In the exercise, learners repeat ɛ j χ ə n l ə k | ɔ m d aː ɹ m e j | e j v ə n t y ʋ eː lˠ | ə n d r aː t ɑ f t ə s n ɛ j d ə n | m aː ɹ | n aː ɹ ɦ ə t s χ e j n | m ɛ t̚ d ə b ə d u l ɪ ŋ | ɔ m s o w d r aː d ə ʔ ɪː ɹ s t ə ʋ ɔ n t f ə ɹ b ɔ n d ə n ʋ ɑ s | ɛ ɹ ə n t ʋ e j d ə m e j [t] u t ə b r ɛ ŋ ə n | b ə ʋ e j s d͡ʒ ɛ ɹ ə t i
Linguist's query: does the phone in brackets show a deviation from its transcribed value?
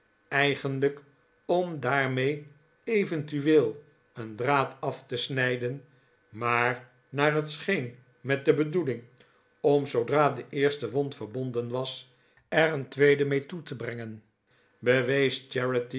no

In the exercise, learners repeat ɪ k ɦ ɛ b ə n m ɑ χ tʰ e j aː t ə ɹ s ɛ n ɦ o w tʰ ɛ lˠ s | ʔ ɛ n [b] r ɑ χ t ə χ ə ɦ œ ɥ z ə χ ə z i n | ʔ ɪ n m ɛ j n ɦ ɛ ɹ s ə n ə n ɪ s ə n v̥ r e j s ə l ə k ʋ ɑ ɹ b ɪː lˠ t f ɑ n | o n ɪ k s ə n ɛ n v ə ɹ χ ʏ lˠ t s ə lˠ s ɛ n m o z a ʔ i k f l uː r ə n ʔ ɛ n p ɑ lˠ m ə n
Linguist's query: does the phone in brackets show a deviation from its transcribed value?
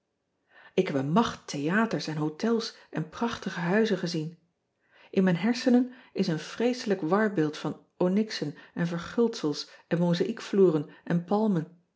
yes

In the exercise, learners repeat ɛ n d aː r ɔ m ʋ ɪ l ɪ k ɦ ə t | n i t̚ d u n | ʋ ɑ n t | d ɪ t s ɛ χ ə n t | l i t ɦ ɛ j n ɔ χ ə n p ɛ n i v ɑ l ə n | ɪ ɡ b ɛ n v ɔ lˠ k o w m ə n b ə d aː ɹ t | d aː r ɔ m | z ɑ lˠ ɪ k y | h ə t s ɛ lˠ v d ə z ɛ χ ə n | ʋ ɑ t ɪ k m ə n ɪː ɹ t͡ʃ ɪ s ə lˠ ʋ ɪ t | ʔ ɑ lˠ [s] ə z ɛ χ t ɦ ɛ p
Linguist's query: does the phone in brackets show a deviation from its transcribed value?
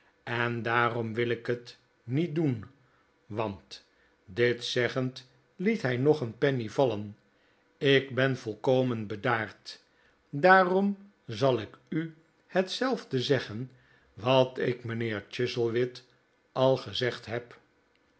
yes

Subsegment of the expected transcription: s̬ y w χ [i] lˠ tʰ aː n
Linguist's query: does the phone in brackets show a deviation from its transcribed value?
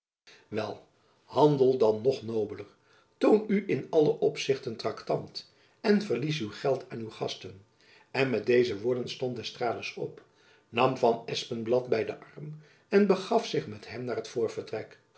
yes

